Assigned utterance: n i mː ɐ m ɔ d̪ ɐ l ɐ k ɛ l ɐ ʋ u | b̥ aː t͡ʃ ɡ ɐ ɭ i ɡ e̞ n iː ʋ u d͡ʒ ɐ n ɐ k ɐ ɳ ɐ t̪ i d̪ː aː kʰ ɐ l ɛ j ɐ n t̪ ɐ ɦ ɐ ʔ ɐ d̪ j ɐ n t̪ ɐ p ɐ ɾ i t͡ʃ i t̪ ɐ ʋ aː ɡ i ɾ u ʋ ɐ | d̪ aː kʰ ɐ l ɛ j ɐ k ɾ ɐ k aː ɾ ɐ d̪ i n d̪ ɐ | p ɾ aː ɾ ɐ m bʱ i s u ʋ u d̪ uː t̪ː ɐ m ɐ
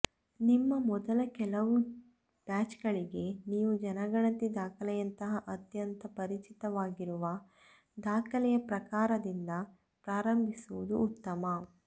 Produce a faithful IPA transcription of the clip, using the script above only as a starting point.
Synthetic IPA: n i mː ɐ m ɔ d̪ ɐ l ɐ k ɛ l ɐ ʋ u | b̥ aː t͡ʃ ɡ ɐ ɭ i ɡ e̞ n iː ʋ u d͡ʒ ɐ n ɐ ɡ ɐ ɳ ɐ t̪ i d̪ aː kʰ ɐ l ɛ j ɐ n t̪ ɐ ɦ ɐ ʔ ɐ t̪ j ɐ n t̪ ɐ p ɐ ɾ i t͡ʃ i t̪ ɐ ʋ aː ɡ i ɾ u ʋ ɐ | d̪ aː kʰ ɐ l ɛ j ɐ p ɾ ɐ k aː ɾ ɐ d̪ i n d̪ ɐ | p ɾ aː ɾ ɐ m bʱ i s u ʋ u d̪ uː t̪ː ɐ m ɐ